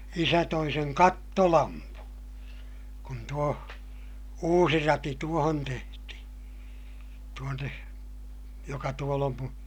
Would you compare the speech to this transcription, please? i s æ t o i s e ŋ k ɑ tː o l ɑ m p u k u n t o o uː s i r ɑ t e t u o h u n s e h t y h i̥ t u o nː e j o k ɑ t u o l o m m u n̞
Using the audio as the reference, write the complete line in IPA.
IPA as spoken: i s æ t o i s e ŋ k ɑ tː o l ɑ m p u k u n t u o uː s i r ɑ t i t u o h o n t e h t i h i̥ t u o nː e j o k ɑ t u o l o m m u n̞